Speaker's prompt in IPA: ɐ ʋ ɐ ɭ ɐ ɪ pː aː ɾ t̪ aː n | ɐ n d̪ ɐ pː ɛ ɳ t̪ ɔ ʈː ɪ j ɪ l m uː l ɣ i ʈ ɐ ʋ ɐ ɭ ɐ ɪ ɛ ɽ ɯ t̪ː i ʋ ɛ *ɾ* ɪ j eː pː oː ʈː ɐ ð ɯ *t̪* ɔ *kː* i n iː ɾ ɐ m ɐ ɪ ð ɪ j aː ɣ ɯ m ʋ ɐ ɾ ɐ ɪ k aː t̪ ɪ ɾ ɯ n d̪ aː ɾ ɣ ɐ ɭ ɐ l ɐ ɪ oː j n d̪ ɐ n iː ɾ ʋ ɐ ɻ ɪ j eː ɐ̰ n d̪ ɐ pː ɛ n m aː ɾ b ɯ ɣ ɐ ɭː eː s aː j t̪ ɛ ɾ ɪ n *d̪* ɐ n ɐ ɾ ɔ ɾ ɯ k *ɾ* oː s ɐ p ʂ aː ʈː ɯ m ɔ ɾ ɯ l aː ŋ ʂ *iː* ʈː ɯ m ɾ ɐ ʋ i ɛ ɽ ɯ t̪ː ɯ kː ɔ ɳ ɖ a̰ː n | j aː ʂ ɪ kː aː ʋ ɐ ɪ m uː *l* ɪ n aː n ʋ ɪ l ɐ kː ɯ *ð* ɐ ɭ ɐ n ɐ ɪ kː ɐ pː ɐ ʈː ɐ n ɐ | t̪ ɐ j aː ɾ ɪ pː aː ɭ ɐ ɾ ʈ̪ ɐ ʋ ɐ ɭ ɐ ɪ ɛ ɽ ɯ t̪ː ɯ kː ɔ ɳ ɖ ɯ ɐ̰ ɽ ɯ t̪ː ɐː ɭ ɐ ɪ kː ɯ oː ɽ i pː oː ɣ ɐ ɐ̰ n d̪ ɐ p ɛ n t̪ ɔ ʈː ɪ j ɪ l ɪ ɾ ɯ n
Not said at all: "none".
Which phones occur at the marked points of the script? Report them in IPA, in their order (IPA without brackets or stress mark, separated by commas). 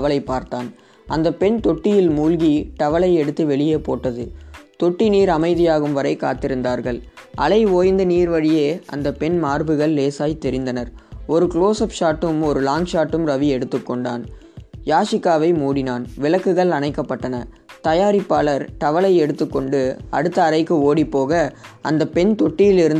ɭ, t̪, ʈː, d̪, ɭ, aː, ɽ, ɣ